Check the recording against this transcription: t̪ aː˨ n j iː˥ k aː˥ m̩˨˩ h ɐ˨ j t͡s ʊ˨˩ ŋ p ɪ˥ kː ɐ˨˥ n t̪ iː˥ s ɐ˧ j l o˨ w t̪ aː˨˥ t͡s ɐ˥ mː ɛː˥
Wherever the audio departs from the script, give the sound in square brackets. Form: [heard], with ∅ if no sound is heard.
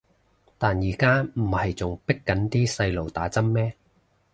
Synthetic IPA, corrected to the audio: t̪ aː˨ n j [iː˨˩] k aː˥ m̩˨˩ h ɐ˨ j t͡s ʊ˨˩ ŋ p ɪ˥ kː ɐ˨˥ n t̪ iː˥ s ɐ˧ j l o˨ w t̪ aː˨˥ t͡s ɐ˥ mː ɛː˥